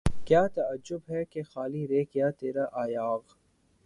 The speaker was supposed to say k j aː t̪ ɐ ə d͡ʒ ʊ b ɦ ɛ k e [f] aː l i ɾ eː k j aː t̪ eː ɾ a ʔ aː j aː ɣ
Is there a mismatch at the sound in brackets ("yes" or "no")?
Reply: yes